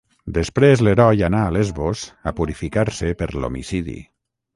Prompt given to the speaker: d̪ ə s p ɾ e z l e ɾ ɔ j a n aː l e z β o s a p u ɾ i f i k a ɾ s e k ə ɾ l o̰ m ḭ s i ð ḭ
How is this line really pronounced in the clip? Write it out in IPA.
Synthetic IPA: d̪ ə s p ɾ e z l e ɾ ɔ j a n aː l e z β o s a p u ɾ i f i k a ɾ s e p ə ɾ l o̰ m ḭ s i ð ḭ